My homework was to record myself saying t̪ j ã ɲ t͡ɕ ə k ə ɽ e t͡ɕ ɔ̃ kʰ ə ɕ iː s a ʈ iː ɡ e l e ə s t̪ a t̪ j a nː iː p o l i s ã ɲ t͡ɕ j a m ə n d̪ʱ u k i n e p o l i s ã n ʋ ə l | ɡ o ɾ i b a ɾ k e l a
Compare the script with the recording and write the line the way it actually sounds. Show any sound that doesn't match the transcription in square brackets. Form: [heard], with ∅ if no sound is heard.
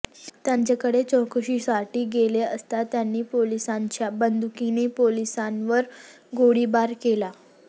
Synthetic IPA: t̪ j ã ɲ t͡ɕ [a] k ə ɽ e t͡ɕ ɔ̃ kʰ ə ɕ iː s a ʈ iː ɡ e l e ə s t̪ a t̪ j a nː iː p o l i s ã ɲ t͡ɕ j a [b] ə n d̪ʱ u k i n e p o l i s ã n ʋ ə [ɾ] | ɡ o [ɽ] i b a ɾ k e l a